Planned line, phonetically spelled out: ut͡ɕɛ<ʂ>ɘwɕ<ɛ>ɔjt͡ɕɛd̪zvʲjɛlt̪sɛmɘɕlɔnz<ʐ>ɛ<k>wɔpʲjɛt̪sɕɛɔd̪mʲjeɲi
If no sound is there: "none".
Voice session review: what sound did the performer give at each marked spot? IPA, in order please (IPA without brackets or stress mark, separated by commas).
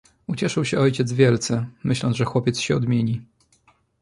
ʂ, ɛ, ʐ, x